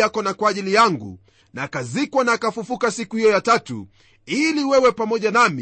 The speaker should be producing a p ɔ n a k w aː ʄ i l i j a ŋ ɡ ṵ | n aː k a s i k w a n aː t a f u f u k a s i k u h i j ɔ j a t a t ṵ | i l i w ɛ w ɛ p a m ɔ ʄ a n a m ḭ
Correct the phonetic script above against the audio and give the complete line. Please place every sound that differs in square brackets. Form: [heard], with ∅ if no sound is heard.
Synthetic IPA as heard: a [k] ɔ n a k w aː ʄ i l i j a ŋ ɡ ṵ | n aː k a [z] i k w a n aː [k] a f u f u k a s i k u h i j ɔ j a t a t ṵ | i l i w ɛ w ɛ p a m ɔ ʄ a n a m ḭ